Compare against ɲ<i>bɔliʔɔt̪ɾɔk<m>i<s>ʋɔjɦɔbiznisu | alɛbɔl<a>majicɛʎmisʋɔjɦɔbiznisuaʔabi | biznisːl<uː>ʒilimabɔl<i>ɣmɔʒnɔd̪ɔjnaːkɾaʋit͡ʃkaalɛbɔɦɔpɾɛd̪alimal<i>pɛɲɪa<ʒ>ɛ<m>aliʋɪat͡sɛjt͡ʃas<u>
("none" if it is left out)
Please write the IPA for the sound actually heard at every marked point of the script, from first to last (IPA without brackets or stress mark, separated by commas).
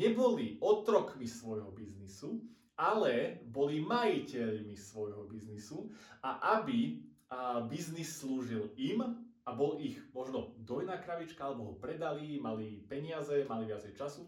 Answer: ɛ, m, s, i, uː, i, i, z, m, u